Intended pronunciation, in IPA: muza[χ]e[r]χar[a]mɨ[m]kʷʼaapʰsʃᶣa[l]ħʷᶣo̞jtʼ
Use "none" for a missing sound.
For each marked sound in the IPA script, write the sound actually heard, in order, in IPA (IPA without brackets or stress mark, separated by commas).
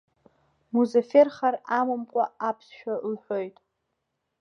f, r, a, m, l